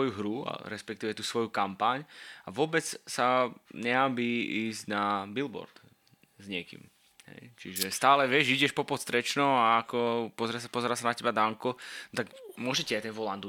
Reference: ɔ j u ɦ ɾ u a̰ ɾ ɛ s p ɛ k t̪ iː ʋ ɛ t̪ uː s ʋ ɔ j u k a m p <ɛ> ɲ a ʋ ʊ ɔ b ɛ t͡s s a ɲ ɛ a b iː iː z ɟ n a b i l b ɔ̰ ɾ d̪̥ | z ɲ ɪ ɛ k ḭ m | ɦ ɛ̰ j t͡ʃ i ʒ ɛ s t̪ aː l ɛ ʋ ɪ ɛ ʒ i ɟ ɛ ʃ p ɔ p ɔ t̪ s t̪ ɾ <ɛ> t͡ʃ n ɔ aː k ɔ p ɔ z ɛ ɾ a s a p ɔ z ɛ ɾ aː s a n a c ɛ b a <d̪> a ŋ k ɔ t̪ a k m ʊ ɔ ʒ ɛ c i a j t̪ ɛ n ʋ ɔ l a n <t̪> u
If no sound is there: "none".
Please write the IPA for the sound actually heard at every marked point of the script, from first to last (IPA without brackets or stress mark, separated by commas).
a, ɛ, d̪, d̪